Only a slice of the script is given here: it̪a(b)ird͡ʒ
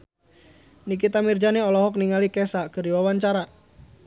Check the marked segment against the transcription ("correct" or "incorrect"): incorrect